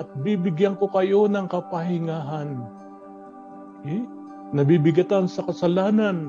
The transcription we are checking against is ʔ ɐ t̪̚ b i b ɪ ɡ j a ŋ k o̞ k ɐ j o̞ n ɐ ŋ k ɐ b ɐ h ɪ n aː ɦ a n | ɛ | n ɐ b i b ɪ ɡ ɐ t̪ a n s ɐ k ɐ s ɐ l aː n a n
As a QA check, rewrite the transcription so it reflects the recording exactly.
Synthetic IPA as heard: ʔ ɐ t̪̚ b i b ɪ ɡ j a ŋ k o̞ k ɐ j o̞ n ɐ ŋ k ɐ p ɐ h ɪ ŋ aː ɦ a n | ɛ | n ɐ b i b ɪ ɡ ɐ t̪ a n s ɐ k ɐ s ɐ l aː n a n